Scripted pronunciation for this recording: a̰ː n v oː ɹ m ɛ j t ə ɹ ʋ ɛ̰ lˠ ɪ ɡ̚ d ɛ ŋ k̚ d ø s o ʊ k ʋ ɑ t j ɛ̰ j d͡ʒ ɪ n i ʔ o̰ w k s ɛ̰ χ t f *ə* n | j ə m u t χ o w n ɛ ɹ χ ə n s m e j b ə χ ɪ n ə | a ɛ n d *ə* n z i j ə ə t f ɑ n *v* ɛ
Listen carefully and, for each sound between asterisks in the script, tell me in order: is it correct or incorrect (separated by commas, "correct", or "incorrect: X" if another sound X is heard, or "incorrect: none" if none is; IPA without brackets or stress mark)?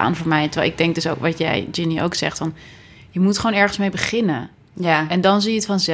incorrect: ɑ, incorrect: ɑ, incorrect: z